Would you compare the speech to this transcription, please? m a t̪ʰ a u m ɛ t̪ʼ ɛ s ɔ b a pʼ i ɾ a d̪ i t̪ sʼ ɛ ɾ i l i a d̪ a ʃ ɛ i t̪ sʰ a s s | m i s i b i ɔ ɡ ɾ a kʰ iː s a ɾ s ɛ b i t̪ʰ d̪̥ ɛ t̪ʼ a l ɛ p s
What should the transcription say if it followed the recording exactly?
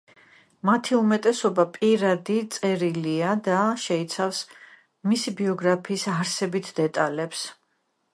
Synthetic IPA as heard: m a t̪ʰ i u m ɛ t̪ʼ ɛ s ɔ b a pʼ i ɾ a d̪ i t̪ sʼ ɛ ɾ i l i a d̪ a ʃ ɛ i t̪ sʰ a f s | m i s i b i ɔ ɡ ɾ a pʰ iː s a ɾ s ɛ b i t̪ʰ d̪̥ ɛ t̪ʼ a l ɛ p s